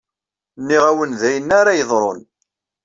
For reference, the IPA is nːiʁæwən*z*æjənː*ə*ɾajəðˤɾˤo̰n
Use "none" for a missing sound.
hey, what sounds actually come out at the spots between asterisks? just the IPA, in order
ð, a

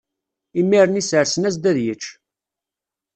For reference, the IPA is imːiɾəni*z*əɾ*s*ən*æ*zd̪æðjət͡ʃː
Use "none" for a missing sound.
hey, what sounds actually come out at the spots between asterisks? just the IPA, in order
s, s, æ

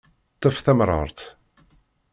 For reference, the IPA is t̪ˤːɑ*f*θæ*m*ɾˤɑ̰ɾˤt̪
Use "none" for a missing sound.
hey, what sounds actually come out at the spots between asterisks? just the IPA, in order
f, m

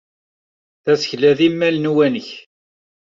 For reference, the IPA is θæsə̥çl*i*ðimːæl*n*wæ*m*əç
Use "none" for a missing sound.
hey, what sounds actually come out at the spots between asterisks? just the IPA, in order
æ, n, n

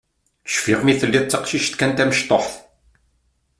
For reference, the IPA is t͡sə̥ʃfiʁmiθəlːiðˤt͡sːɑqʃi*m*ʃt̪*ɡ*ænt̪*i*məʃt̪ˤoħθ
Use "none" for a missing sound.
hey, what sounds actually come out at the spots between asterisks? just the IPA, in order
none, k, æ

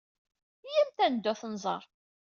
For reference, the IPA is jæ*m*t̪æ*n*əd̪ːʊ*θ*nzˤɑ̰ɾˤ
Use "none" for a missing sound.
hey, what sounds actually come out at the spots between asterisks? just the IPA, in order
m, n, θ

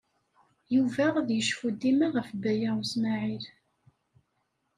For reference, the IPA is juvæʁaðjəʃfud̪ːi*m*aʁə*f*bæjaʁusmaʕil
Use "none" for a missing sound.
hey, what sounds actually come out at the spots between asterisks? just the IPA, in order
m, f

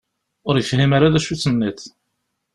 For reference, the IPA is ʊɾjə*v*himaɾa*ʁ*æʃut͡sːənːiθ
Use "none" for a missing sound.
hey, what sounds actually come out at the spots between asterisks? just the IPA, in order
f, ð

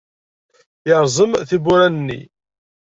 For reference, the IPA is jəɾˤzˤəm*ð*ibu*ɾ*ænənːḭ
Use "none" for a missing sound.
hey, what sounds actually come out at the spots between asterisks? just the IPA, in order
θ, ɾ

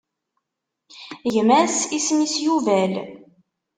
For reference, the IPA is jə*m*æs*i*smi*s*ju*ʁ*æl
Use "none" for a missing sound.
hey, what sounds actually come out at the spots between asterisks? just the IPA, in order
m, i, s, v

